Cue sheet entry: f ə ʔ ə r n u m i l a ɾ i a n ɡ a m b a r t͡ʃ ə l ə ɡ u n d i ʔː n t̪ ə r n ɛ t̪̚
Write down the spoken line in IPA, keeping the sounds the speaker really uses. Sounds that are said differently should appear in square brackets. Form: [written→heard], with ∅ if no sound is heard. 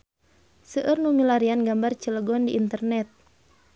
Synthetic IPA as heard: [f→s] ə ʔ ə r n u m i l a ɾ i a n ɡ a m b a r t͡ʃ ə l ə ɡ [u→ɔ] n d i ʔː n t̪ ə r n ɛ t̪̚